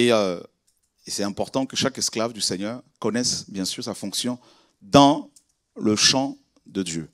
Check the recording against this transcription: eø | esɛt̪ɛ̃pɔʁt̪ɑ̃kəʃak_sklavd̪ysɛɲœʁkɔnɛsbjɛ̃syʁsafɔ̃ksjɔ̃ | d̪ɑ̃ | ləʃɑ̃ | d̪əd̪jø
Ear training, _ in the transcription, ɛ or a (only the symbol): ɛ